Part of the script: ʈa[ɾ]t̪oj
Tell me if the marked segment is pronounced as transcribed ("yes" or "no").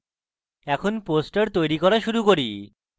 yes